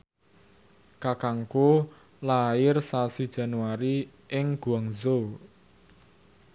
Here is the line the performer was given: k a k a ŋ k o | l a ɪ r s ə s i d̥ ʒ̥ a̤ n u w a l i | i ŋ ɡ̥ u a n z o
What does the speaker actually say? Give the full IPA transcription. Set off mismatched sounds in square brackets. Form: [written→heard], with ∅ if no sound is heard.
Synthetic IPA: k a k a ŋ k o | l a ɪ r s [ə→a] s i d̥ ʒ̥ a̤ n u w a [l→ɾ] i | [i→ɪ] ŋ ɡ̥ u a [n→ŋ] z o